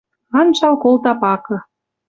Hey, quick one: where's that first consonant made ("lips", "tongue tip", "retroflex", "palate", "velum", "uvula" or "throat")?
tongue tip